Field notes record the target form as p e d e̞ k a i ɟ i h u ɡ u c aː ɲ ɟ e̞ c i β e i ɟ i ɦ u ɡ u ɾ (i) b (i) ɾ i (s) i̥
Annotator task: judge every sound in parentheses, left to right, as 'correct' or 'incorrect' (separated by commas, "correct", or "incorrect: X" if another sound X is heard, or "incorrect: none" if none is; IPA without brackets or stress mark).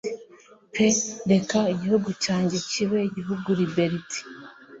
correct, incorrect: e, incorrect: t